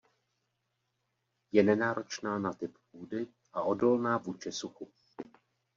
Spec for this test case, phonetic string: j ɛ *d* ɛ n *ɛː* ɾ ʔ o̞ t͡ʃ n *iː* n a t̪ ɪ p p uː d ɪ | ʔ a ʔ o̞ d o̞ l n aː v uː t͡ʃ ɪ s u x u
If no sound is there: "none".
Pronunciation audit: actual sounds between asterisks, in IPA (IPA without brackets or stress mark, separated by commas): n, aː, aː